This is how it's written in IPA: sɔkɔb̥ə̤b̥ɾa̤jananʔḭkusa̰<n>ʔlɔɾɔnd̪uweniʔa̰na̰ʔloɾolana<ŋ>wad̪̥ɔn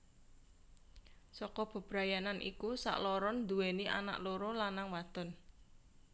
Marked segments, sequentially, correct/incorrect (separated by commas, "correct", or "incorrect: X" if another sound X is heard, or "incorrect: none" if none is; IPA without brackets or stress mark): incorrect: none, correct